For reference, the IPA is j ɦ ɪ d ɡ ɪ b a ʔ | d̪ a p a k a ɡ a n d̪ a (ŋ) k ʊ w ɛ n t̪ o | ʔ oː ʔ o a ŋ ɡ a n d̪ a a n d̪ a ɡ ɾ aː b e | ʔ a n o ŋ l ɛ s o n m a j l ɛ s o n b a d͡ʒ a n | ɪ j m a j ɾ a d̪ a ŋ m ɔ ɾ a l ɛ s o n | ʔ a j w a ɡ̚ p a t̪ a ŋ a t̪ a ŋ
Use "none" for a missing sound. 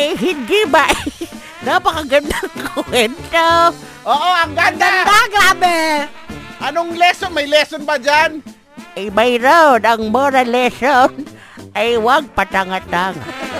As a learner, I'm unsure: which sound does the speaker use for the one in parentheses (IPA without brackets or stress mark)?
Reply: ŋ